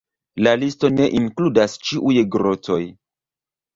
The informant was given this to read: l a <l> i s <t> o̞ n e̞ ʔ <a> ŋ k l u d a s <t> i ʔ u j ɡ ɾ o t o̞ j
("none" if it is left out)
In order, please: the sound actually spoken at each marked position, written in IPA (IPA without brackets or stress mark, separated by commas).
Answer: l, t, i, t͡ʃ